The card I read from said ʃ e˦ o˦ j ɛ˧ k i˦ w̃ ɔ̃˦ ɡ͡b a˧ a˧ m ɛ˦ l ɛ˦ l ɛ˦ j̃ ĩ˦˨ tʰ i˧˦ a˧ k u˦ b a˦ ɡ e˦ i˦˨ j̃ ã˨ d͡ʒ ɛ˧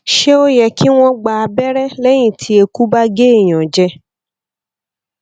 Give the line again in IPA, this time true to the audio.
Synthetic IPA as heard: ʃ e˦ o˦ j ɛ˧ k i˦ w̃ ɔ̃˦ ɡ͡b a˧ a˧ b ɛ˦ ɾ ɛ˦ l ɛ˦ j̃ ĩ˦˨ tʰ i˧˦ e˧ k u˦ b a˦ ɡ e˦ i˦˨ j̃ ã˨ d͡ʒ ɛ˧

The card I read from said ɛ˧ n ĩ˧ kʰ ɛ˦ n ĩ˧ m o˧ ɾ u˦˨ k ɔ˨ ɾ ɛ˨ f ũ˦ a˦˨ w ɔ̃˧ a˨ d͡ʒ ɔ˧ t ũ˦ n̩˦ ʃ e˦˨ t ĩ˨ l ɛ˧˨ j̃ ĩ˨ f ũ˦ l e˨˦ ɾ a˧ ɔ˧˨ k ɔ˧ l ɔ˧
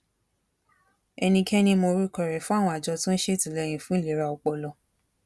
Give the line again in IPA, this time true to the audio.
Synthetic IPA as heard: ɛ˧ n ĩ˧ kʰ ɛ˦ n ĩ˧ m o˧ ɾ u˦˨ k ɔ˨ ɾ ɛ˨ f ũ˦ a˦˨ w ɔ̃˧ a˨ d͡ʒ ɔ˧ t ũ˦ n̩˦ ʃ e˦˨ t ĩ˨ l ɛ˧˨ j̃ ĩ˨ f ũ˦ l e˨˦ ɾ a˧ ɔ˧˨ k͡p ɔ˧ l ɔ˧

